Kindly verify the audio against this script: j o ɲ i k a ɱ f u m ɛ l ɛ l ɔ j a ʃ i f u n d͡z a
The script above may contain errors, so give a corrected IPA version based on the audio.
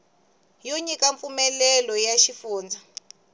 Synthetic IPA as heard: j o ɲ i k a ɱ f u m ɛ l ɛ l ɔ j a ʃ i f uː n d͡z a